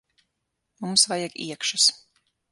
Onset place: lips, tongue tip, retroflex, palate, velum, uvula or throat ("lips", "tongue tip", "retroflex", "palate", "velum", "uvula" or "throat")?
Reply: lips